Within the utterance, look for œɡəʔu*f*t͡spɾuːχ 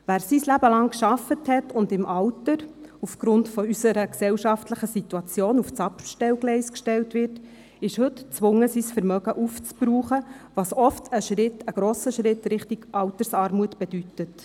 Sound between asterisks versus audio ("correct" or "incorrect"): correct